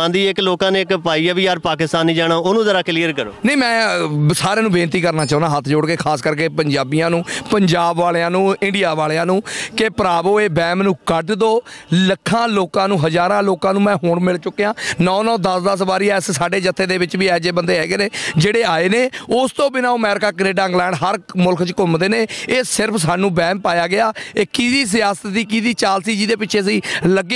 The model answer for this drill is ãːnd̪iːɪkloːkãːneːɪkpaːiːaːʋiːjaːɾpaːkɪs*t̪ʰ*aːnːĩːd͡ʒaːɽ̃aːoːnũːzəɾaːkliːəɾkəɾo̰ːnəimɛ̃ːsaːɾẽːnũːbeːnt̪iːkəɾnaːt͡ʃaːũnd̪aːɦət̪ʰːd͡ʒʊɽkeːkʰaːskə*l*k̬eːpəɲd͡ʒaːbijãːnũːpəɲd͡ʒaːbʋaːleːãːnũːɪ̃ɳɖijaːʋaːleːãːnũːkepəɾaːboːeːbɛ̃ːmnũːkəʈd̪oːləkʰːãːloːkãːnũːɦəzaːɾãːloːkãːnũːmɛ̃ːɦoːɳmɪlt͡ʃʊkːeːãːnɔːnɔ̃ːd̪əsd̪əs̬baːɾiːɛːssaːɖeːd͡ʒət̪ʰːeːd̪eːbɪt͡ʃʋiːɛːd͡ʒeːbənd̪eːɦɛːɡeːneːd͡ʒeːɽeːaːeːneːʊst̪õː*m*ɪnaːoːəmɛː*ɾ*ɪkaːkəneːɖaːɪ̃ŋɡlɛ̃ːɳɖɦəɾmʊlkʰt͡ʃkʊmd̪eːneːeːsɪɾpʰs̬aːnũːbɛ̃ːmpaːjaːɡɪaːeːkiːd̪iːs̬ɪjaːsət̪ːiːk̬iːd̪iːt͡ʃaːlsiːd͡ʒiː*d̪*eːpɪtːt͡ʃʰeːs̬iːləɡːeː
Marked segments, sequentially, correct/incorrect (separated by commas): incorrect, incorrect, incorrect, correct, correct